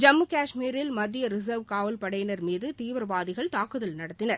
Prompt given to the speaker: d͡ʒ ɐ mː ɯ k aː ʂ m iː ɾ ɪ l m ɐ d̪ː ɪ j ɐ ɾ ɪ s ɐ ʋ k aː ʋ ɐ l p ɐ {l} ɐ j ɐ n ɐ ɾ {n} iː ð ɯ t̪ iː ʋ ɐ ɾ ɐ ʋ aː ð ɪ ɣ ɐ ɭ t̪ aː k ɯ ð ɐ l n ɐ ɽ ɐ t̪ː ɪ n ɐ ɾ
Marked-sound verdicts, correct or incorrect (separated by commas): incorrect, incorrect